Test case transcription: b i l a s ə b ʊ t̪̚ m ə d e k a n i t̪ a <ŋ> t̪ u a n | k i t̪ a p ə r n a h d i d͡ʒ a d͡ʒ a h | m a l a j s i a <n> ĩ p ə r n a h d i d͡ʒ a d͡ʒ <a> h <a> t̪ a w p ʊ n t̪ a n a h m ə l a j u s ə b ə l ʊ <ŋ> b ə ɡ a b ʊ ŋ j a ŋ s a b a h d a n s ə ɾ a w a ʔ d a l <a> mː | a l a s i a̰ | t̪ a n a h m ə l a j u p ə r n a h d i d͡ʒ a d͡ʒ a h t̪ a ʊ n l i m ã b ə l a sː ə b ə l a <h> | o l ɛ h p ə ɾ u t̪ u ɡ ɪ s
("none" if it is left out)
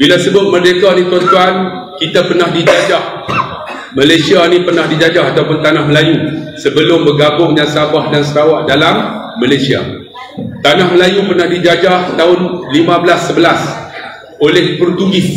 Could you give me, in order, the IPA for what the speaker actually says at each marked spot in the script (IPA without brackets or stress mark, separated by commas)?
n, n, a, a, m, a, s